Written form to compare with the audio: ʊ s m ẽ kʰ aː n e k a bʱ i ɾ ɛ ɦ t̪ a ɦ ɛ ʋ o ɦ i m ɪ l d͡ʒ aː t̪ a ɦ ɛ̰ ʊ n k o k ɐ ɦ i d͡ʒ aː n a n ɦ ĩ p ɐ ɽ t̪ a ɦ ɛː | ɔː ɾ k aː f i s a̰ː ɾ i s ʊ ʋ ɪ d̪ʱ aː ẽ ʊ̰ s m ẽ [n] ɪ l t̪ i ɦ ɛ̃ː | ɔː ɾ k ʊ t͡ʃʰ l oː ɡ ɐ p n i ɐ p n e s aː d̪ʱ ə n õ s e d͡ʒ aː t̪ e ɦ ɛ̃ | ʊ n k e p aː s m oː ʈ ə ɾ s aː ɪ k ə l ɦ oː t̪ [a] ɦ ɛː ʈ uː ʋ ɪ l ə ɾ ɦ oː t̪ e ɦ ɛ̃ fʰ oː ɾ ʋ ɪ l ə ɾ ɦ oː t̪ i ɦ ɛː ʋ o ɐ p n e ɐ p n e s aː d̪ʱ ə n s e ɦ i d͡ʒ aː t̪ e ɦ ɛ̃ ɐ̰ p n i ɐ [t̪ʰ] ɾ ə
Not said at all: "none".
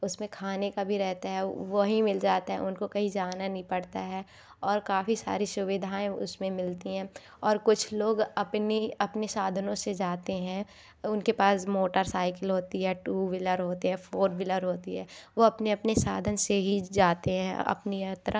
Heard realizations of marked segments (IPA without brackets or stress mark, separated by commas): m, i, t̪